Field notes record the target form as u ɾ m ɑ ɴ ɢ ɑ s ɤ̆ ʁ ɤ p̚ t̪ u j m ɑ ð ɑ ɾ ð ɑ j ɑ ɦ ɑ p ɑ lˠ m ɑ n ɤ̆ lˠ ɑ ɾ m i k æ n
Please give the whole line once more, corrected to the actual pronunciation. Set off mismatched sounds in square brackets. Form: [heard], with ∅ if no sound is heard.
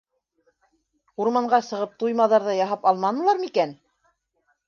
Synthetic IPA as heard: u ɾ m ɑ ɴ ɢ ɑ s ɤ̆ ʁ ɤ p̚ t̪ u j m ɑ ð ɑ ɾ ð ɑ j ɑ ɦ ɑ p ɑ lˠ m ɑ n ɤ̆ lˠ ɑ ɾ m i k æ n